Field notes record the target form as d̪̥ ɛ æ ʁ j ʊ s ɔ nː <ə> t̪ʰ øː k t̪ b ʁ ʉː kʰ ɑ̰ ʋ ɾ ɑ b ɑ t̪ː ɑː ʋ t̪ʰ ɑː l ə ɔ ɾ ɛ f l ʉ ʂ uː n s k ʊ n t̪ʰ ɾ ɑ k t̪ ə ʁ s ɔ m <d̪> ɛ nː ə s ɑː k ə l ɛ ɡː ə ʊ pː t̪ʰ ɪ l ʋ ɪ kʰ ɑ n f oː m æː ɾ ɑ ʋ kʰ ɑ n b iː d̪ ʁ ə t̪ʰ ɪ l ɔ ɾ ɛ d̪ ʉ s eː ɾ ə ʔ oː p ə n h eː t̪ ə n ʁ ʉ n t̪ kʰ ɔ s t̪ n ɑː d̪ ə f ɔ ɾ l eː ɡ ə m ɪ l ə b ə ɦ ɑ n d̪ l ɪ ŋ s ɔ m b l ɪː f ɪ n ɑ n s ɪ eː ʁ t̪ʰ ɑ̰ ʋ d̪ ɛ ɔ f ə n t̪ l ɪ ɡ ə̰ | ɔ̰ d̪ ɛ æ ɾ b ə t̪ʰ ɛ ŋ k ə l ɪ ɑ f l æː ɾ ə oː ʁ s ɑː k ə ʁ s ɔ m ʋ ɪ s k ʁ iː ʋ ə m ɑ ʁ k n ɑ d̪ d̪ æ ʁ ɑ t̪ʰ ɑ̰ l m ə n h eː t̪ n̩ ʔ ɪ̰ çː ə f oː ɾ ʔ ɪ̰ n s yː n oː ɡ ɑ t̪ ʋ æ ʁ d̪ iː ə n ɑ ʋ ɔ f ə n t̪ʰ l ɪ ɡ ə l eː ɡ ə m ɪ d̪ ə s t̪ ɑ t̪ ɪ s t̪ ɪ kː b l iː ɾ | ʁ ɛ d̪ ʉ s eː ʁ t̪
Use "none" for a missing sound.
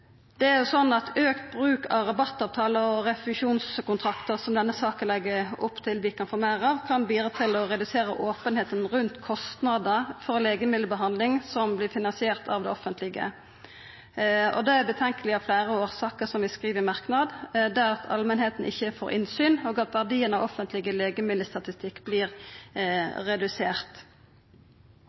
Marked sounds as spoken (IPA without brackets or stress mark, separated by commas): ɑ, d̪